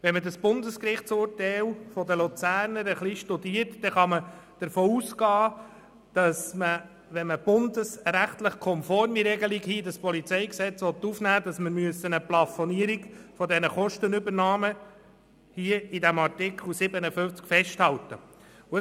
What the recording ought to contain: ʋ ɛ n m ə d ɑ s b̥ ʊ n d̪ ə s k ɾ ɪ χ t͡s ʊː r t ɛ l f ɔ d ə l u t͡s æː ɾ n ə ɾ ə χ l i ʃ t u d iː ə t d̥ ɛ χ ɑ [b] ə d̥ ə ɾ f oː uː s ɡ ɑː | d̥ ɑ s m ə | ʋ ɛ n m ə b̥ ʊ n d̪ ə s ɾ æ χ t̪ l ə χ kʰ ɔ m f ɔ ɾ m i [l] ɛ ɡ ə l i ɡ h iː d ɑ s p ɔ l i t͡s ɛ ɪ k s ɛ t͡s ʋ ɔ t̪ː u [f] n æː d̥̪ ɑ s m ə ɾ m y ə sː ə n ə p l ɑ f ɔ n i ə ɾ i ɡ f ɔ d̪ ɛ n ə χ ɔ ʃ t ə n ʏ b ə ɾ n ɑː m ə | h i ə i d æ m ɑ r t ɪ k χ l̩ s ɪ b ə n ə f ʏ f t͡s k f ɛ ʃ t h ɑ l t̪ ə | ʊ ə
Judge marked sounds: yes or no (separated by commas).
no, no, yes